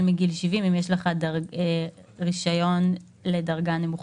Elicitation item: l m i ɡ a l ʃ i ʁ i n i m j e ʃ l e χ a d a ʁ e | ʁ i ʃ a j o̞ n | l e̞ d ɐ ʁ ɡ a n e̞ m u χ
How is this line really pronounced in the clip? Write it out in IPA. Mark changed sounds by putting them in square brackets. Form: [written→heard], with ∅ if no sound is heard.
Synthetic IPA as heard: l m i ɡ [a→i] l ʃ i [ʁ→v] i [n→m] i m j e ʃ l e χ a d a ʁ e | ʁ i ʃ a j o̞ n | l e̞ d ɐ ʁ ɡ a n e̞ m u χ

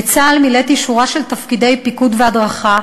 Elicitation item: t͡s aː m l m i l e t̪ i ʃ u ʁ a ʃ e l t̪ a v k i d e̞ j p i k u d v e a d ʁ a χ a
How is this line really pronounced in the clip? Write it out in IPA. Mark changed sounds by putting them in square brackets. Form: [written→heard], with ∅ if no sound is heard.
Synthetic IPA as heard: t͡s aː [m→∅] l m i l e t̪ i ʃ u ʁ a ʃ e l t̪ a [v→f] k i d e̞ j p i k u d v e a d ʁ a χ a

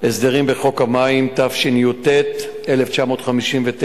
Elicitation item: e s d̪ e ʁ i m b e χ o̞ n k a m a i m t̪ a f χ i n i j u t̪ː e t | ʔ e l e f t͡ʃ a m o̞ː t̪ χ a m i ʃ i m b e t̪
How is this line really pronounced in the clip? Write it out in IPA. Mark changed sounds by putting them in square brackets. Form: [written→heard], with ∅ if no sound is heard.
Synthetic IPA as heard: e s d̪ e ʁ i m b e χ o̞ [n→∅] k a m a i m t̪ a f [χ→ʃ] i n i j u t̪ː e t | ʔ e l e f t͡ʃ a m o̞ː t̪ χ a m i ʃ i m [b→v] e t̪

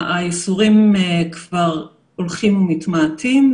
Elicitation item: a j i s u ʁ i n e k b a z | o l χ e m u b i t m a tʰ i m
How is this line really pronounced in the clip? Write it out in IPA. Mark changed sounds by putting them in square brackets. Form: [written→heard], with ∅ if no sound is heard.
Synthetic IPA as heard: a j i s u ʁ i [n→m] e k [b→v] a [z→ʁ] | o l χ [e→i] m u [b→m] i t m a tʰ i m

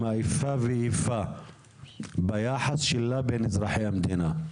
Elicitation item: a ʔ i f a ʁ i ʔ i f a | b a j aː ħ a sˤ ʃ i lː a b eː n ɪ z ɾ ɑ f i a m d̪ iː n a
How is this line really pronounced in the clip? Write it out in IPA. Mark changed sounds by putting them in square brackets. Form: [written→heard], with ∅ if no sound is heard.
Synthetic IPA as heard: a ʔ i f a [ʁ→v] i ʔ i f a | b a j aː ħ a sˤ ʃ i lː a b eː n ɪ z ɾ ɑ [f→ħ] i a m d̪ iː n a

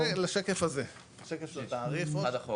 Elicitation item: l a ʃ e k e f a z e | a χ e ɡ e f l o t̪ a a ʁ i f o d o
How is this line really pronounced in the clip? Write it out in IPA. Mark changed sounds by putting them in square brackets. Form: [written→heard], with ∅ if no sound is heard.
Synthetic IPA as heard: l a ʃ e k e f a z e | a [χ→ʃ] e [ɡ→k] e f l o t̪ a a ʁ i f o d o

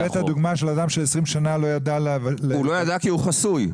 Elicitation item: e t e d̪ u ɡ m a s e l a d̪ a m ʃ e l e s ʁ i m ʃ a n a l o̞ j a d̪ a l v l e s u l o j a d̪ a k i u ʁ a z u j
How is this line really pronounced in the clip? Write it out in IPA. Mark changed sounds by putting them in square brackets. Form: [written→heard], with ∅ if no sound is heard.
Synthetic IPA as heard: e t [e→a] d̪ u ɡ m a [s→ʃ] e l a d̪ a m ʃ e l e s ʁ i m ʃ a n a l o̞ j a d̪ a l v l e [s→∅] u l o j a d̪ a k i u [ʁ→χ] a [z→s] u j

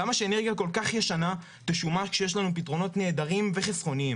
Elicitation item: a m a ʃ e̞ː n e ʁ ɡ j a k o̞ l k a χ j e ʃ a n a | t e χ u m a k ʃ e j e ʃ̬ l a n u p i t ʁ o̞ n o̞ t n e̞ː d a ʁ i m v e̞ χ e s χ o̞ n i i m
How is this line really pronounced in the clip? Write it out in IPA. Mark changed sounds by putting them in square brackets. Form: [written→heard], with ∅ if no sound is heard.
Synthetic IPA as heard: a m a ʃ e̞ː n e ʁ ɡ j a k o̞ l k a χ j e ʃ a n a | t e [χ→ʃ] u m a k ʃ e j e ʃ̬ l a n u p i t ʁ o̞ n o̞ t n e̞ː d a ʁ i m v e̞ χ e s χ o̞ n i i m

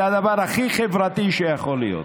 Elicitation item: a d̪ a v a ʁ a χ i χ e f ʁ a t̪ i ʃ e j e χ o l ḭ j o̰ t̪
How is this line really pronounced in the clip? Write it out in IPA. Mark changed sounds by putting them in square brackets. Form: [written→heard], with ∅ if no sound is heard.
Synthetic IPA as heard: a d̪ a v a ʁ a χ i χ e [f→v] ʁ a t̪ i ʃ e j [e→a] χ o l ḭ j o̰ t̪

